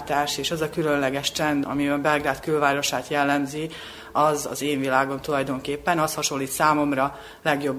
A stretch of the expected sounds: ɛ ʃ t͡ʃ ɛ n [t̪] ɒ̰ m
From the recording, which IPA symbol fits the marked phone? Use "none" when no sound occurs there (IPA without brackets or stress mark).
d̪